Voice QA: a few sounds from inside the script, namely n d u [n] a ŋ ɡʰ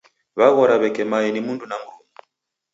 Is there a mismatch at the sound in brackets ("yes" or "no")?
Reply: no